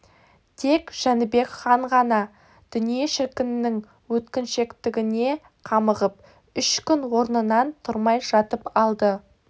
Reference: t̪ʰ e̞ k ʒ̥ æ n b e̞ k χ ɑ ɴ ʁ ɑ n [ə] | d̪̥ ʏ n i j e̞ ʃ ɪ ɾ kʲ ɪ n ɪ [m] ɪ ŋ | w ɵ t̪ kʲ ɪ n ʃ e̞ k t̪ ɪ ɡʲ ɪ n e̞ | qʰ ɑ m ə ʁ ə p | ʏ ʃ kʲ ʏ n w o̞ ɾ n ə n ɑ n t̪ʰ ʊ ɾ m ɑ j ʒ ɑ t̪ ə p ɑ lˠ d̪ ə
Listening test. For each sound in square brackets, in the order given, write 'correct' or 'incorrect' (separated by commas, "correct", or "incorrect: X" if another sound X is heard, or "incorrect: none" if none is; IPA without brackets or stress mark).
incorrect: ɑ, incorrect: n